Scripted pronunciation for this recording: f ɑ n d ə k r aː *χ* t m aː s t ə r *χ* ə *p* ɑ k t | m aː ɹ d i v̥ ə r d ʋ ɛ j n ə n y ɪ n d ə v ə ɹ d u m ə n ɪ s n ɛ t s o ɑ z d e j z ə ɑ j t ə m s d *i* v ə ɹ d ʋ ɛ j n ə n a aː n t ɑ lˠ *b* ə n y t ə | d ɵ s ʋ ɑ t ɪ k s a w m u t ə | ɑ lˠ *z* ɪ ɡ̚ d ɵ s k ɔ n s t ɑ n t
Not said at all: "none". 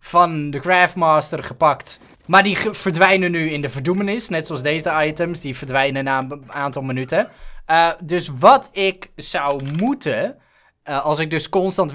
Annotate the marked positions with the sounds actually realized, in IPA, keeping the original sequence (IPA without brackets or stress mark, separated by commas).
f, χ, p, i, m, s